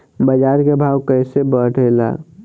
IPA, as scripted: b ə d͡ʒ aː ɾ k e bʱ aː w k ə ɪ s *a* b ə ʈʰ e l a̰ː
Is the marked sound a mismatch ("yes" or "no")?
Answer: yes